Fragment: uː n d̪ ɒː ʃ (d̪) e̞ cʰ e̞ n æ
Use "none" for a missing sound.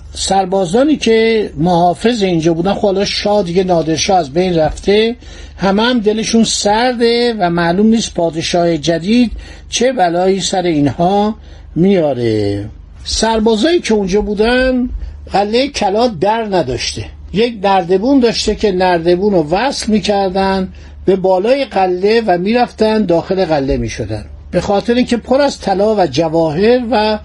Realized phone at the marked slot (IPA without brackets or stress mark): t̪